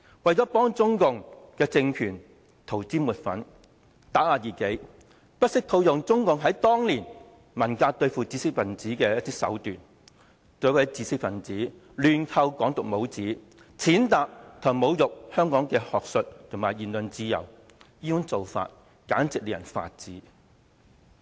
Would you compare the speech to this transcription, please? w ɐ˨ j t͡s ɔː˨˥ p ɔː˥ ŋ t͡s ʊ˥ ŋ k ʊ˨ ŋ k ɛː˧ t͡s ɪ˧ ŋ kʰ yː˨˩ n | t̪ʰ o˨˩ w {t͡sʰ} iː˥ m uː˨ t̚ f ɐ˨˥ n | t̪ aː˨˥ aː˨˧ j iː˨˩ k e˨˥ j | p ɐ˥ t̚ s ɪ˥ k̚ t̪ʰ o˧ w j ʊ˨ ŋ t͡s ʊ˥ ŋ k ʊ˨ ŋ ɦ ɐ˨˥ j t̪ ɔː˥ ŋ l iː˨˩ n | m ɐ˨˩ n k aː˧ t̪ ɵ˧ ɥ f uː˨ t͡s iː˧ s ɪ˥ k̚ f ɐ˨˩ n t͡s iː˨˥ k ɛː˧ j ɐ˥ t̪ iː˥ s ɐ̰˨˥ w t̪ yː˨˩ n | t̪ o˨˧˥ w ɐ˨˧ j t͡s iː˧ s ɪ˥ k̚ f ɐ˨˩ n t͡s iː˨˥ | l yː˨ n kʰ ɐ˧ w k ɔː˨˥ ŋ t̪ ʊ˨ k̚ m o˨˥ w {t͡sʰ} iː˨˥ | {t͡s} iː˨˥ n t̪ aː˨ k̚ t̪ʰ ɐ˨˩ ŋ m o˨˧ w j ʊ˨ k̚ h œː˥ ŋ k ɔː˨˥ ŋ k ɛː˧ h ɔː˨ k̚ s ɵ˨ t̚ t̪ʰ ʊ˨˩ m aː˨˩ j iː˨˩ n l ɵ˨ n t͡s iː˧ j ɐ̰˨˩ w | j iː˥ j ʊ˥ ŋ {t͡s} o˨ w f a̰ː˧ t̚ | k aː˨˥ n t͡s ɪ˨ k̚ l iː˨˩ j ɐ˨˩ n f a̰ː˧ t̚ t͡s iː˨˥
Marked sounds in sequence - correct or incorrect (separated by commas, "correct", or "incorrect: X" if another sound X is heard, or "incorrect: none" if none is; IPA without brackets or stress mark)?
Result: incorrect: t͡s, incorrect: t͡s, incorrect: t͡sʰ, correct